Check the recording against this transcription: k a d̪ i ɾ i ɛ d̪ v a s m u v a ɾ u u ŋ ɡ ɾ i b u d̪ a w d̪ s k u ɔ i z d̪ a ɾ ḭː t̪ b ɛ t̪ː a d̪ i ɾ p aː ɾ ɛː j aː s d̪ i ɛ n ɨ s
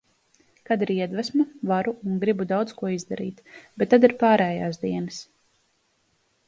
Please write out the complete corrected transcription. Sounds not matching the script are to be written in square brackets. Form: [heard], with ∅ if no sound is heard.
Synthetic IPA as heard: k a d̪ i ɾ i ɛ d̪ v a s m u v a ɾ u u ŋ ɡ ɾ i b u d̪ a w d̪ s k u ɔ i z d̪ a ɾ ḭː t̪ b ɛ t̪ː a d̪ i ɾ p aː ɾ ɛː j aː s d̪ i ɛ n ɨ s